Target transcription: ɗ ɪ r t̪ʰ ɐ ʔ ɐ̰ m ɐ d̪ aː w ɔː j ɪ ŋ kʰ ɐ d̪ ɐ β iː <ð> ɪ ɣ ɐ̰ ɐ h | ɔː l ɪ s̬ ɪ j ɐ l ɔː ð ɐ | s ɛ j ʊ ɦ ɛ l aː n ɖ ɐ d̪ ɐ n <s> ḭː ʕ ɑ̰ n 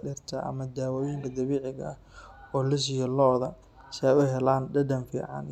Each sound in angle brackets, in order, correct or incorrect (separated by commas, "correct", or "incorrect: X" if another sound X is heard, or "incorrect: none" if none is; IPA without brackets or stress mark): incorrect: ʕ, incorrect: f